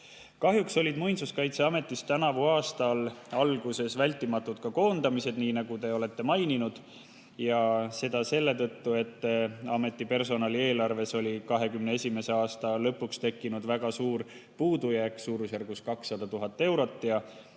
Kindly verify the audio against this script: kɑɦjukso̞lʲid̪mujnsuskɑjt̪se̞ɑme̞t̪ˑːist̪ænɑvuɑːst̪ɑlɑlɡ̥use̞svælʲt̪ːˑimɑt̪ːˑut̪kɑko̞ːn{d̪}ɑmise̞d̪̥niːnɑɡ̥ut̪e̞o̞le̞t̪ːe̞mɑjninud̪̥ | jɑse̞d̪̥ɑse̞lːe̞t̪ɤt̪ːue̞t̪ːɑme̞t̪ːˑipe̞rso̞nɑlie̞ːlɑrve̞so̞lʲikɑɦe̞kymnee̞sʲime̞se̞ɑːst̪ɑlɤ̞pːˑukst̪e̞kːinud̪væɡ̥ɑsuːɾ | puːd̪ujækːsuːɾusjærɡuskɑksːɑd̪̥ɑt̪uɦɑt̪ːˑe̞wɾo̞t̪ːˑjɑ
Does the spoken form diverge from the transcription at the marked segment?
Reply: no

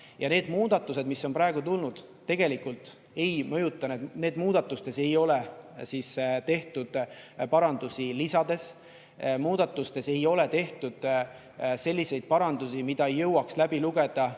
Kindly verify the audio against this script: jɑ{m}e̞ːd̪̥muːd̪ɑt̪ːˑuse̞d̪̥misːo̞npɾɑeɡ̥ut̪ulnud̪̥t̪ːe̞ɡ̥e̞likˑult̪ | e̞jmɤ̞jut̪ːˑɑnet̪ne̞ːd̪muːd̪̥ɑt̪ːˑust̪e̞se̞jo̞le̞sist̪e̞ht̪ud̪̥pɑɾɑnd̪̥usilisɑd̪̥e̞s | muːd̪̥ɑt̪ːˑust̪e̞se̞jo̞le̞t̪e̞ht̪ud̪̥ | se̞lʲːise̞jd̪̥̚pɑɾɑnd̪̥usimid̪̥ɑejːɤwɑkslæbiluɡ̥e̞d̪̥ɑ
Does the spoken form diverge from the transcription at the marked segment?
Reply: yes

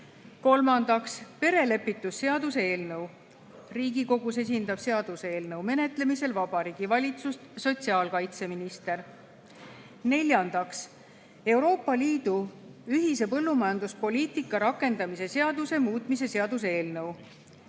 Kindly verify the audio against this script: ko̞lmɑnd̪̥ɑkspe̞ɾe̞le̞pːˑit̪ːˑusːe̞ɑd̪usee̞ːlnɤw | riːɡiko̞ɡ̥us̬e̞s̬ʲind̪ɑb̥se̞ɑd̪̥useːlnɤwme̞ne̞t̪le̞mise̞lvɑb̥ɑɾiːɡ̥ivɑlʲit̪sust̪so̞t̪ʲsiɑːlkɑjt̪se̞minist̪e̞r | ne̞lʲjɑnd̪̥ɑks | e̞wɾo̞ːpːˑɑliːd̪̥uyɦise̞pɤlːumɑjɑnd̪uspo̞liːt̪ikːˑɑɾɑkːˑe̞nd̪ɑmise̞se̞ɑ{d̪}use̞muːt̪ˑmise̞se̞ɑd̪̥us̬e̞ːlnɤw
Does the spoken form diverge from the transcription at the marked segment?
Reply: no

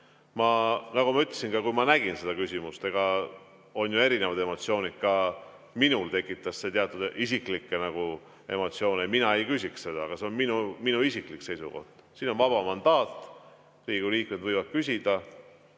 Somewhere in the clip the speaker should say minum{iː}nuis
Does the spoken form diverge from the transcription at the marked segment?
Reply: yes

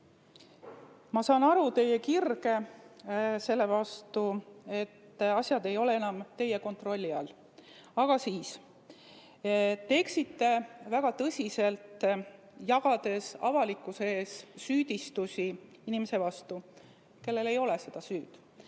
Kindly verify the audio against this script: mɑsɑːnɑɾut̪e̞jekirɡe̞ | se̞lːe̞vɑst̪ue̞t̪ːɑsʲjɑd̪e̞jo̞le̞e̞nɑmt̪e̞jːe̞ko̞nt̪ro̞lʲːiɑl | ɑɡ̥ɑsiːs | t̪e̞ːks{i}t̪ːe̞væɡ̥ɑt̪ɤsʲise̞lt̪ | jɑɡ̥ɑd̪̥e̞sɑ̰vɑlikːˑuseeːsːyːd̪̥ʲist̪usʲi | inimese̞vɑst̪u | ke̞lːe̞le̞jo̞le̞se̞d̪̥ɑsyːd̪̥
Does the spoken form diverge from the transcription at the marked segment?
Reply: no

